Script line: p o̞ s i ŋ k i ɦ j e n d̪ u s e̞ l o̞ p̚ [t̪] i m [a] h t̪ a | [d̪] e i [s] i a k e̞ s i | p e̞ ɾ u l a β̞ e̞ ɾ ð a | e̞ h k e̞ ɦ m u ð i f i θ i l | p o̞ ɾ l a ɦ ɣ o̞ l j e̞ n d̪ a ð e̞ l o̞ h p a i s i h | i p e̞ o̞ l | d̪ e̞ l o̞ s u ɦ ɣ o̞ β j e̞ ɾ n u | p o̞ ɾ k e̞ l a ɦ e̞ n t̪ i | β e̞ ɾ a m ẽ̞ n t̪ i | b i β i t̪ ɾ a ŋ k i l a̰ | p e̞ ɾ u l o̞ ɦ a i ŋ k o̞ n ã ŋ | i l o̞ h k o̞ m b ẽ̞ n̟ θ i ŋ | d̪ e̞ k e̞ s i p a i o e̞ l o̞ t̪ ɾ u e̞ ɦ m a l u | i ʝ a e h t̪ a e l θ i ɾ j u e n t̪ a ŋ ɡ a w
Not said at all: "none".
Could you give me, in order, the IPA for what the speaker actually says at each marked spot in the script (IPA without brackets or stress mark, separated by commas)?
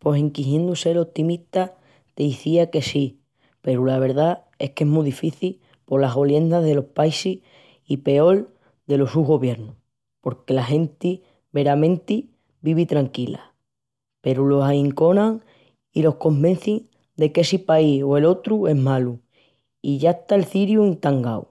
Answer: t̪, i, t̪, θ